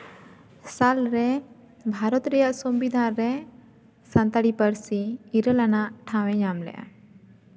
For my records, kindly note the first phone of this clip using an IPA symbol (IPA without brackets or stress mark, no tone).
s